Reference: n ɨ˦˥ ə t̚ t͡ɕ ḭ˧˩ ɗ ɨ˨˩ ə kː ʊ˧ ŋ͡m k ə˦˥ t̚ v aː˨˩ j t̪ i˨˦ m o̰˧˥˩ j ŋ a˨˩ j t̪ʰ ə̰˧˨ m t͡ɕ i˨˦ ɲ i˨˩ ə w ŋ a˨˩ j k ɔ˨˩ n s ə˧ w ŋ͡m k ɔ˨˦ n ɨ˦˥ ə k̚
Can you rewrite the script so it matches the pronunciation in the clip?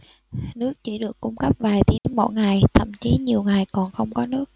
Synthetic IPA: n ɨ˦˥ ə k̚ t͡ɕ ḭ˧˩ ɗ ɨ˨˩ ə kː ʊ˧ ŋ͡m k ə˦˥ p̚ v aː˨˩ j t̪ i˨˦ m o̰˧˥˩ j ŋ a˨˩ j t̪ʰ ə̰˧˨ m t͡ɕ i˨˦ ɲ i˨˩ ə w ŋ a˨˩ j k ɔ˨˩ n x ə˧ w ŋ͡m k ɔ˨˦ n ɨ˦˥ ə k̚